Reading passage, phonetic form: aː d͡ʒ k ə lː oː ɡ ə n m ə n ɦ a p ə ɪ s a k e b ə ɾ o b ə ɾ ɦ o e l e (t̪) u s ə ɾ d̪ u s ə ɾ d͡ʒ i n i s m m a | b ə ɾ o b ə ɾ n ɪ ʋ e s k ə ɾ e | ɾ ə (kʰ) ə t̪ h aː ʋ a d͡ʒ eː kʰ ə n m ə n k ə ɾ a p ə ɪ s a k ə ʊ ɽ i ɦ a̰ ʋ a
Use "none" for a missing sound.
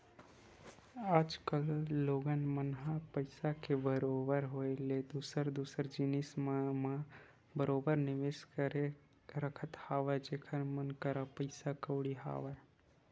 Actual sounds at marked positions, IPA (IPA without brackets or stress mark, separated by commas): d̪, kʰ